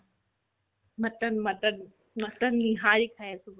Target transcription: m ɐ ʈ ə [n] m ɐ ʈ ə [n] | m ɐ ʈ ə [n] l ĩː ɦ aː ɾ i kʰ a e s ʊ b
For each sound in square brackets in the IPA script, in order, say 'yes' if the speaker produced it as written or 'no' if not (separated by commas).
yes, yes, yes